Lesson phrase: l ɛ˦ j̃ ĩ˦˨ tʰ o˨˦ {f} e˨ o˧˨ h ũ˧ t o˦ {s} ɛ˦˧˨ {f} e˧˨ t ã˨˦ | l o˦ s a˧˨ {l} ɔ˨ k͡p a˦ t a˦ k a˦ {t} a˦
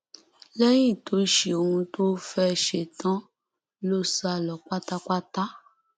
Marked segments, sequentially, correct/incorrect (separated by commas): incorrect, incorrect, incorrect, correct, correct